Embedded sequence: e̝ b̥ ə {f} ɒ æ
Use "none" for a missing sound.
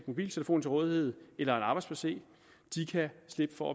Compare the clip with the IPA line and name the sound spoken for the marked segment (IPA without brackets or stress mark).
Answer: f